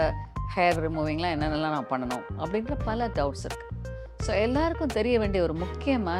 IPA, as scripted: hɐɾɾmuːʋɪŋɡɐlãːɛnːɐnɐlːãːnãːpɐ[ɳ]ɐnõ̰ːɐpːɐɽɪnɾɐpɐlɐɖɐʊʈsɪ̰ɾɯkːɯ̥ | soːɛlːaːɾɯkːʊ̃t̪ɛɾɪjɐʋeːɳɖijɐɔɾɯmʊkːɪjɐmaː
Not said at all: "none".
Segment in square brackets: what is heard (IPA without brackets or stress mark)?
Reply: ɳː